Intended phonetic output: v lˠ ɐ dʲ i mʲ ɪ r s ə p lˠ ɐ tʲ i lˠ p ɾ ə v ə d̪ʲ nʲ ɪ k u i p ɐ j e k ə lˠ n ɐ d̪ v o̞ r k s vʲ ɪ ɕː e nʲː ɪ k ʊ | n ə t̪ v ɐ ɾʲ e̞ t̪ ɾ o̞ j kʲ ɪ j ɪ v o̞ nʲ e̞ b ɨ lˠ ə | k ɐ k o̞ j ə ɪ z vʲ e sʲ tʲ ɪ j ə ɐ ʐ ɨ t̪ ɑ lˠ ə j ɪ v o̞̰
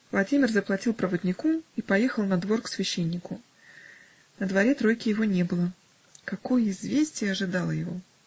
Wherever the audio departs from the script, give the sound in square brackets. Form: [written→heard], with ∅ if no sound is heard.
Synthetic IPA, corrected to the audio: v lˠ ɐ dʲ i mʲ ɪ r [s→z] ə p lˠ ɐ tʲ i lˠ p ɾ ə v ə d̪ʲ nʲ ɪ k u i p ɐ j e [k→x] ə lˠ n ɐ d̪ v o̞ r k s vʲ ɪ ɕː e nʲː ɪ k ʊ | n ə [t̪→d̪] v ɐ ɾʲ e̞ t̪ ɾ o̞ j kʲ ɪ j ɪ v o̞ nʲ e̞ b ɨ lˠ ə | k ɐ k o̞ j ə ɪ z vʲ e sʲ tʲ ɪ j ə ɐ ʐ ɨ [t̪→d̪] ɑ lˠ ə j ɪ v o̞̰